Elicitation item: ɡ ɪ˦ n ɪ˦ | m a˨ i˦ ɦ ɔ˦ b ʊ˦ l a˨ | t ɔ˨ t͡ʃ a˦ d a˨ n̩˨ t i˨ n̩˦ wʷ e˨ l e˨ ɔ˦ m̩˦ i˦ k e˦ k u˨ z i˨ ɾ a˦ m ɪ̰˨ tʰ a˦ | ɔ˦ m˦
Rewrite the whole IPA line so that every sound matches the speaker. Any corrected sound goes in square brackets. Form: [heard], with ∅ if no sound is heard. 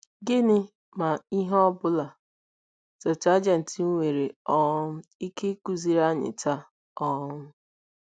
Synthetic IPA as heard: ɡ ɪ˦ n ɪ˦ | m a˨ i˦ ɦ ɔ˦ b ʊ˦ l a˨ | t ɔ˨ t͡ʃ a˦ [d͡ʒ] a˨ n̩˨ t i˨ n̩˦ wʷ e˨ [ɾ] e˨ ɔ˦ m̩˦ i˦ k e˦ k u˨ z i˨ ɾ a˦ [ɲ] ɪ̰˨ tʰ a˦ | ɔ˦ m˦